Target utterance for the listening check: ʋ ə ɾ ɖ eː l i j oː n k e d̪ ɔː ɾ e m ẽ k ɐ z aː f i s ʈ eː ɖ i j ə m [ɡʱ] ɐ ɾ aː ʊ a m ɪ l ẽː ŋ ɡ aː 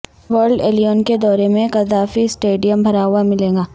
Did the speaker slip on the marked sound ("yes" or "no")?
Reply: yes